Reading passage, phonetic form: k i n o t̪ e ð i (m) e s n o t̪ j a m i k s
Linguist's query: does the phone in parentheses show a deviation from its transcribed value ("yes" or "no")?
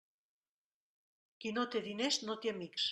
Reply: yes